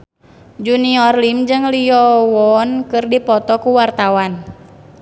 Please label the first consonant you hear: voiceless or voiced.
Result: voiced